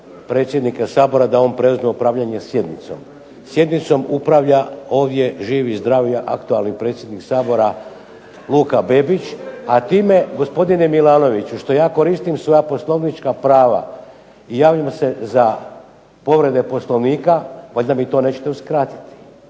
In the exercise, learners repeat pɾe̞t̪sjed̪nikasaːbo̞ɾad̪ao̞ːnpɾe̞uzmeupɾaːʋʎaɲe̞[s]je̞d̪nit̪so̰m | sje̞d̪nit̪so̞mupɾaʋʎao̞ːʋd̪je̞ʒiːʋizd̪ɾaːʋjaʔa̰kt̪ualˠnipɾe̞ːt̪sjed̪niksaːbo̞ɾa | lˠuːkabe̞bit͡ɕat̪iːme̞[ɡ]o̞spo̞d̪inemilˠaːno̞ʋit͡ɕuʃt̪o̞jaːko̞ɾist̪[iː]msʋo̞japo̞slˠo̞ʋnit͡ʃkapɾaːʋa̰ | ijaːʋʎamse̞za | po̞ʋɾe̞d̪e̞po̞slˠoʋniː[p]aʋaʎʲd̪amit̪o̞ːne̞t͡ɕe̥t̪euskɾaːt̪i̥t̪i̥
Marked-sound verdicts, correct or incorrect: correct, correct, incorrect: i, incorrect: k

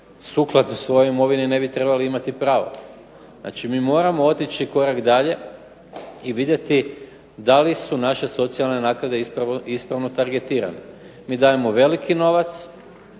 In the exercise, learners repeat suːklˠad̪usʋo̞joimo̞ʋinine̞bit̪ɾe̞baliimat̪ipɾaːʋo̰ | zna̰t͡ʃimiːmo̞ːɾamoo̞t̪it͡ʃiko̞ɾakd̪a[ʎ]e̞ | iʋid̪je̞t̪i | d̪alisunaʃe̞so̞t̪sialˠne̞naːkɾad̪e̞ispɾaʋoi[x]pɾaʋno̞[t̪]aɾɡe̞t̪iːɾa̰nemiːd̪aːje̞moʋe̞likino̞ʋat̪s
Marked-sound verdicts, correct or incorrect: correct, incorrect: s, correct

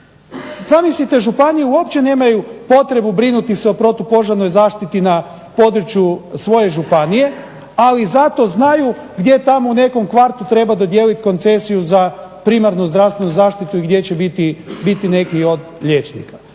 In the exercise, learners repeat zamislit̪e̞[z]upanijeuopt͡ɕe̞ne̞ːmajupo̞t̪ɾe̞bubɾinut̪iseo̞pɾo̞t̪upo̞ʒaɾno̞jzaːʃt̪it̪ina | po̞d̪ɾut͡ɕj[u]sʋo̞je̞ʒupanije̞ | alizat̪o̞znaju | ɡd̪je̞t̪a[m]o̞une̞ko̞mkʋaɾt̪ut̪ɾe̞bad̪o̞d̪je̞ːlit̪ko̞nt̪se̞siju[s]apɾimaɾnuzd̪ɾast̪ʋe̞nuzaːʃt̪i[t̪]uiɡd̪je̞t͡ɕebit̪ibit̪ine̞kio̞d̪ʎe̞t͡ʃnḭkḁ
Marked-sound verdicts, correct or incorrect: incorrect: ʒ, correct, correct, incorrect: z, correct

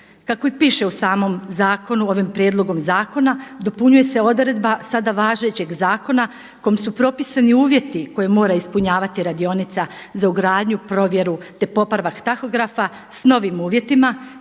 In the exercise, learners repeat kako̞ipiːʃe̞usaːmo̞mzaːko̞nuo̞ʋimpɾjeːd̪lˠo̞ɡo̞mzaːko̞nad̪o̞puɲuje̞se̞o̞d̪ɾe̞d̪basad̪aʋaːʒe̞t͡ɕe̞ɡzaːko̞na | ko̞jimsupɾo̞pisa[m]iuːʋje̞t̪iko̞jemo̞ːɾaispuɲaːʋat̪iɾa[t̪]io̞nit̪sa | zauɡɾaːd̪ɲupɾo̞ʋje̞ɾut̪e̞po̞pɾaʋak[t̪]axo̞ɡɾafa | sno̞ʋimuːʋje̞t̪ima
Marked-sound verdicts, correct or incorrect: incorrect: n, incorrect: d̪, correct

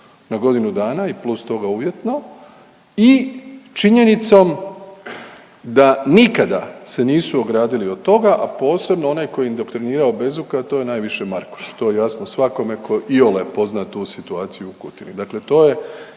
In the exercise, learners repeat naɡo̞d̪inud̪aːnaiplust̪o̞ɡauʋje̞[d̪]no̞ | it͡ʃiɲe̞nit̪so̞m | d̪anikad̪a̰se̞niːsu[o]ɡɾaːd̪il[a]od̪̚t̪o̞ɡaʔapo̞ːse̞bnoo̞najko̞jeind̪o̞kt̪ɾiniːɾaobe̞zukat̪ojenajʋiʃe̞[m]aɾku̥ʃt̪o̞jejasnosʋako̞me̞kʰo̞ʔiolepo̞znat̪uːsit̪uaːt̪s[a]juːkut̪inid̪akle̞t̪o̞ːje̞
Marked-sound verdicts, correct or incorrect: incorrect: t̪, correct, incorrect: i, correct, incorrect: i

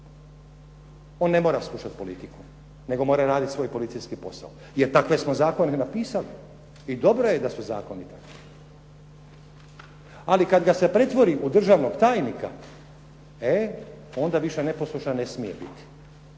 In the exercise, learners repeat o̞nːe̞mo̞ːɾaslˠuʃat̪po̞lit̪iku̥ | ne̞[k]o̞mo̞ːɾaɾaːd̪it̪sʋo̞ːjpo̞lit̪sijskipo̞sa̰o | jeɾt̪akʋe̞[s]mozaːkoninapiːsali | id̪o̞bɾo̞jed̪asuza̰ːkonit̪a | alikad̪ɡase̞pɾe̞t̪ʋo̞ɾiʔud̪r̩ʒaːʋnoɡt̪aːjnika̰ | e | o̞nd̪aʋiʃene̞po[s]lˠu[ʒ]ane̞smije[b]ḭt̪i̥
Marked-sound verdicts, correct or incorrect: incorrect: ɡ, correct, correct, incorrect: ʃ, correct

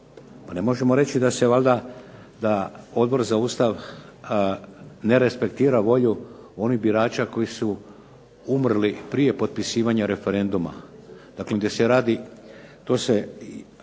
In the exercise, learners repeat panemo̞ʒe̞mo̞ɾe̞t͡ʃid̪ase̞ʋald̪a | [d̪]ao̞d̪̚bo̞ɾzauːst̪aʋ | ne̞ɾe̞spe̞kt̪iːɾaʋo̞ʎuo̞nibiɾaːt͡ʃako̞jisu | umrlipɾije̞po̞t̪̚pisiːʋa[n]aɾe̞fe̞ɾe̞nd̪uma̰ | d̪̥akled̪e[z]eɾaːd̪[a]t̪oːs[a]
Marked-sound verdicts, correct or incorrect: correct, incorrect: ɲ, incorrect: s, incorrect: i, incorrect: e

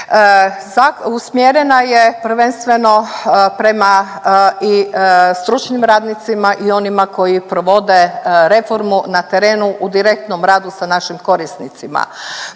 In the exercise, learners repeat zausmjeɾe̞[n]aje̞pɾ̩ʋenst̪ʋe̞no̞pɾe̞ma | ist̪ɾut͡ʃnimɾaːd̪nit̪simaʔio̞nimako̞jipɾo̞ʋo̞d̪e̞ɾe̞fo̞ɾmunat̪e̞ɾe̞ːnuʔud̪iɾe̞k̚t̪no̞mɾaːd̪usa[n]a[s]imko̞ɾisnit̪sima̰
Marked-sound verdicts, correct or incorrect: correct, correct, incorrect: ʃ

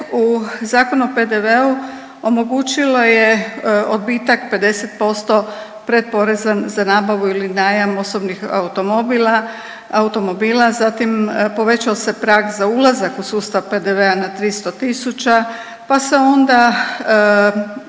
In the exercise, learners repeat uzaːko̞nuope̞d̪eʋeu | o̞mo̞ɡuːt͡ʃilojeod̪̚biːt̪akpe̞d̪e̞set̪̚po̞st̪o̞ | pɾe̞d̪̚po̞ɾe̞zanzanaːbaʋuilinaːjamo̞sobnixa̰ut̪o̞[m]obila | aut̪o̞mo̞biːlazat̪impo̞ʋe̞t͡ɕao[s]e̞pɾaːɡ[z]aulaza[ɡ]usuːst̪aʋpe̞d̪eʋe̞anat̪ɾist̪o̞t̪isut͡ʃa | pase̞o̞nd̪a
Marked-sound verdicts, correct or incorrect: correct, correct, correct, incorrect: k

